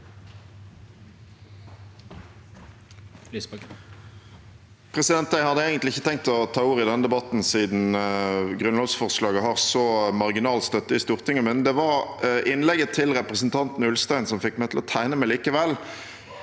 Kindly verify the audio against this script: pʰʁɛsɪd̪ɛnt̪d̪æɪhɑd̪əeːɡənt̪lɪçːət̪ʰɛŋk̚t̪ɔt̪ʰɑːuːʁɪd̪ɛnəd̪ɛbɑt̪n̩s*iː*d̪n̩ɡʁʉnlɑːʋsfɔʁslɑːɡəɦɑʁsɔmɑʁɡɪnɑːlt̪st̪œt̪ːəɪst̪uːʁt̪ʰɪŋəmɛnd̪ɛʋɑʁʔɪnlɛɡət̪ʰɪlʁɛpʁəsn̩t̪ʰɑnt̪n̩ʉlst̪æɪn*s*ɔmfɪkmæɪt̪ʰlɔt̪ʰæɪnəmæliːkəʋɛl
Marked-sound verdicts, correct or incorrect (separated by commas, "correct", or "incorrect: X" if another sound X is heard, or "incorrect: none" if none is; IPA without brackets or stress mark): correct, correct